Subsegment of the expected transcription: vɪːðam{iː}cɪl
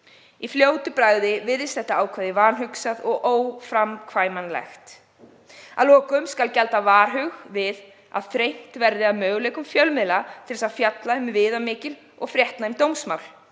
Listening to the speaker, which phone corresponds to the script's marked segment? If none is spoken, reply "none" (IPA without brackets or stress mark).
ɪː